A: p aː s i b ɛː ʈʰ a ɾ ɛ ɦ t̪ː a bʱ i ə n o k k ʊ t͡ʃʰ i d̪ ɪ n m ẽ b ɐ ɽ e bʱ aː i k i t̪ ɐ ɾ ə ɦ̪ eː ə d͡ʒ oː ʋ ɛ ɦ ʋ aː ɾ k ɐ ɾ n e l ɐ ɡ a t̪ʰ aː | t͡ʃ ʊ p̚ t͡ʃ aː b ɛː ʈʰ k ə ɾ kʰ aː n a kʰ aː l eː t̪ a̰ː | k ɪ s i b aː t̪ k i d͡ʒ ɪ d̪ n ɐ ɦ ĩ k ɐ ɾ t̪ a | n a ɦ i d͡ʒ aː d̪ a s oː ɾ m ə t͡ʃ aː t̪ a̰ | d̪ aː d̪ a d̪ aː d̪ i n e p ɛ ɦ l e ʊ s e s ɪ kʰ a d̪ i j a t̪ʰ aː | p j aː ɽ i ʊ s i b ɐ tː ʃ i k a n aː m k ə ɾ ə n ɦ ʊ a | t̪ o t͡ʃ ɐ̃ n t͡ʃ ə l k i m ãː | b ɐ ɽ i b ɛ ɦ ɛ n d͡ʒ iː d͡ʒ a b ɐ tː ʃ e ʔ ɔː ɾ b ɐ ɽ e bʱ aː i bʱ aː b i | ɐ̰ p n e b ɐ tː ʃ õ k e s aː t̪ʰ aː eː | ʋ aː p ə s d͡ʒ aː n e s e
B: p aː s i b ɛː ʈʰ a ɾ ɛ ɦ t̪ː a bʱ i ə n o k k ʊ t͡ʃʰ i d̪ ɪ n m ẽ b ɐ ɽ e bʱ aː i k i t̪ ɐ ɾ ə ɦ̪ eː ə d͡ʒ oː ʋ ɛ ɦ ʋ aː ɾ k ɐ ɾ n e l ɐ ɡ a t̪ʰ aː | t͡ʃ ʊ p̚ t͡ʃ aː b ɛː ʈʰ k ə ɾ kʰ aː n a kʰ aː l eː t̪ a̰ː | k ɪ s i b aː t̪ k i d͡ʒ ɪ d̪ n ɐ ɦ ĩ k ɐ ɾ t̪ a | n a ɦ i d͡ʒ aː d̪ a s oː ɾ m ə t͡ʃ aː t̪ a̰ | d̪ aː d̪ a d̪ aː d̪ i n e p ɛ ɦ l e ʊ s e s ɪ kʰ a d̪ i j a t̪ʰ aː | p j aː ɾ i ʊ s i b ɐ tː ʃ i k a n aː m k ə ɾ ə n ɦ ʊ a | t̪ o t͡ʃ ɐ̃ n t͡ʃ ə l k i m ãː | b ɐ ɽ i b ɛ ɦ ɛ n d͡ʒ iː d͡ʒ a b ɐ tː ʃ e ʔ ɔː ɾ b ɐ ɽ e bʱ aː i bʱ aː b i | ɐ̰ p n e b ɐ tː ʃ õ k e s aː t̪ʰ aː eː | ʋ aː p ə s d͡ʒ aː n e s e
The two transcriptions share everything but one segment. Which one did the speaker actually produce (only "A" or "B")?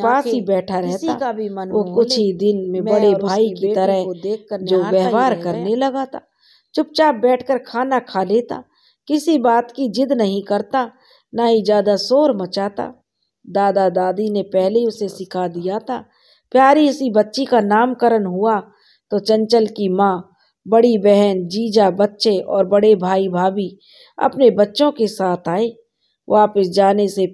B